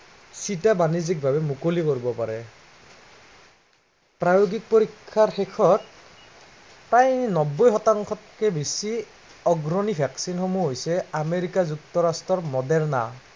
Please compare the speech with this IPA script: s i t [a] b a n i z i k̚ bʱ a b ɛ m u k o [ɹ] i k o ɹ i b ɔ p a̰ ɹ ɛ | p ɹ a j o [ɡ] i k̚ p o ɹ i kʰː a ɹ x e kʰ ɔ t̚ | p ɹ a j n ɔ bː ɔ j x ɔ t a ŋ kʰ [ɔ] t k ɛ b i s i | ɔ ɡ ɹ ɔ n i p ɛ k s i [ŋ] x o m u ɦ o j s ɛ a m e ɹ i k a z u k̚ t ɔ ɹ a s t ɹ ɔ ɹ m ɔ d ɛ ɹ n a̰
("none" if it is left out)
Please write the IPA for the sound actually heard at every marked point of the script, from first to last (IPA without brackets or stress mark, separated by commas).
a, l, ɡ, ɔ, n